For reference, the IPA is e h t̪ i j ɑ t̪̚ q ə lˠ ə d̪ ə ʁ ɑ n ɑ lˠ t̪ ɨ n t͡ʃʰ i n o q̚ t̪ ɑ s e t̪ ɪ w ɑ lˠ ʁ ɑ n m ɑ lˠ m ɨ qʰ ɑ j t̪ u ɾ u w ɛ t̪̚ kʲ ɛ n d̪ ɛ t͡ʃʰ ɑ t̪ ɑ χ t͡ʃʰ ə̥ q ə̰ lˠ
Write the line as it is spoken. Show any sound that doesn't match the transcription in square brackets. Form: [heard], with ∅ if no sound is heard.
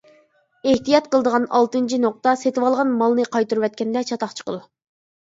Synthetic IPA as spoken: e h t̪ i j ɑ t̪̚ q ə lˠ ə d̪ ə ʁ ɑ n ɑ lˠ t̪ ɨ n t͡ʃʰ i n o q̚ t̪ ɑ s e t̪ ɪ w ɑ lˠ ʁ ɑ n m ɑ lˠ [n] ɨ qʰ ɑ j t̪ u ɾ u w ɛ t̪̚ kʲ ɛ n d̪ ɛ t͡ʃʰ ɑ t̪ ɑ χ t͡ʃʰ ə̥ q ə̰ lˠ